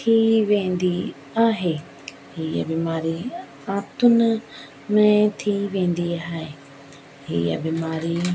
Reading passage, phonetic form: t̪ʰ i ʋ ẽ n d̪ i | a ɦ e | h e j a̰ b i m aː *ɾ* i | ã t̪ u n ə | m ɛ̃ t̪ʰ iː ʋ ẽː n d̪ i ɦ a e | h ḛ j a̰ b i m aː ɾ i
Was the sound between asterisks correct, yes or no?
yes